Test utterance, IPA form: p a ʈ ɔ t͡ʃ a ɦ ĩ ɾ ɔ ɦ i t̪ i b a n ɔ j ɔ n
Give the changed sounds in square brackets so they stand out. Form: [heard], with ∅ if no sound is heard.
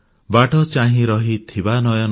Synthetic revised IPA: [b] a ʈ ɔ t͡ʃ a ɦ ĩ ɾ ɔ ɦ i [t̪ʰ] i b a n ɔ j ɔ n